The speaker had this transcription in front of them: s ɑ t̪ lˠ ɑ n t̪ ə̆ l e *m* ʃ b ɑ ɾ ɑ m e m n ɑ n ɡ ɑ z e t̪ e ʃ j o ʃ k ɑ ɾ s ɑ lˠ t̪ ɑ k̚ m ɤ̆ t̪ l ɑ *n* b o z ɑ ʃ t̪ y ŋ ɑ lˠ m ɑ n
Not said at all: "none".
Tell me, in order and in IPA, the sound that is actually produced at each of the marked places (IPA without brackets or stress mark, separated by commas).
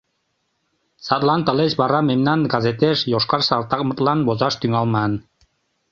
none, n